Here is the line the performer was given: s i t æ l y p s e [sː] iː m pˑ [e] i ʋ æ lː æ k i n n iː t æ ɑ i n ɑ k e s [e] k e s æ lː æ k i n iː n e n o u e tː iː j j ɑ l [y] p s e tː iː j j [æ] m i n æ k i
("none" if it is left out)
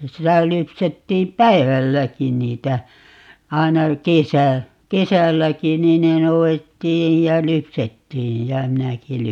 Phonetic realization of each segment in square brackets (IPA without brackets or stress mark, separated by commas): tː, æ, æ, y, æ